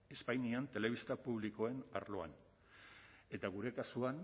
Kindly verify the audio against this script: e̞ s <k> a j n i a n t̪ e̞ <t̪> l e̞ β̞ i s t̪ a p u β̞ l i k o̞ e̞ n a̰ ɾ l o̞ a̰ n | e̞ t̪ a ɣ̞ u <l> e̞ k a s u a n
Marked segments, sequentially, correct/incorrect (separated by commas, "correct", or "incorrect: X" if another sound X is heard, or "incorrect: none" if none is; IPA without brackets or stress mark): incorrect: p, incorrect: none, incorrect: ɾ